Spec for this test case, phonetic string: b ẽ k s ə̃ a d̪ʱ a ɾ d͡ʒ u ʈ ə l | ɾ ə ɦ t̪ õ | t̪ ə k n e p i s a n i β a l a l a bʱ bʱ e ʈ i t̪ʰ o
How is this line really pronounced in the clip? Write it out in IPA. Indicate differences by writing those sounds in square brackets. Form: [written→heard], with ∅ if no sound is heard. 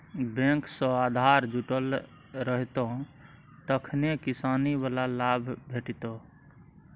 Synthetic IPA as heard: b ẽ k s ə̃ a d̪ʱ a ɾ d͡ʒ u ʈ ə l | ɾ ə ɦ t̪ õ | t̪ ə [k→kʰ] n e [p→k] i s a n i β a l a l a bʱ bʱ e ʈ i [t̪ʰ→t̪] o